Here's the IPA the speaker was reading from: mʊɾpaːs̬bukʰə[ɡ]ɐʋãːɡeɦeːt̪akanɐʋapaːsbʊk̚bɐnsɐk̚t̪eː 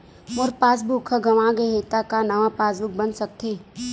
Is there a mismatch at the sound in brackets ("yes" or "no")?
no